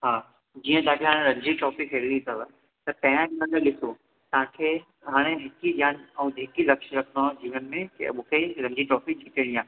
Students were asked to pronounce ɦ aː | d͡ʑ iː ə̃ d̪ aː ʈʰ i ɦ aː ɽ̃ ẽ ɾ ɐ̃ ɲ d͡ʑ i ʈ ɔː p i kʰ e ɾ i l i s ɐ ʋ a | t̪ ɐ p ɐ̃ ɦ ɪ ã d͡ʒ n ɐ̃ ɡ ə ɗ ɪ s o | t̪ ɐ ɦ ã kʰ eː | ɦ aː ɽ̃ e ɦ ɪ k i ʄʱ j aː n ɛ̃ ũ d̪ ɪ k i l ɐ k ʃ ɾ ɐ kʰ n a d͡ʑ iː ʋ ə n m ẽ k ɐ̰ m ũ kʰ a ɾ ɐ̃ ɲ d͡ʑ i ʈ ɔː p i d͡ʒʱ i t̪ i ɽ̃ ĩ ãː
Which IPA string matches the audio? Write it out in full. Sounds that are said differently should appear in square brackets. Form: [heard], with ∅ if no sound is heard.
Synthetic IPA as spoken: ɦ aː | d͡ʑ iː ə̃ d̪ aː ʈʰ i ɦ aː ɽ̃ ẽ ɾ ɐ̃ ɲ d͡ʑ i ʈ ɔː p i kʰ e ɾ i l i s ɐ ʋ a | t̪ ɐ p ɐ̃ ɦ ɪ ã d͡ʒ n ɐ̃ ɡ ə ɗ ɪ s o | t̪ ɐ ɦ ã kʰ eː | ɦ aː ɽ̃ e ɦ ɪ k i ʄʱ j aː n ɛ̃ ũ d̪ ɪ k i l ɐ k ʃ ɾ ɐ kʰ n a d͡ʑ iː ʋ ə n m ẽ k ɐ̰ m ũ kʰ [e] ɾ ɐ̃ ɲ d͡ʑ i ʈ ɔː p i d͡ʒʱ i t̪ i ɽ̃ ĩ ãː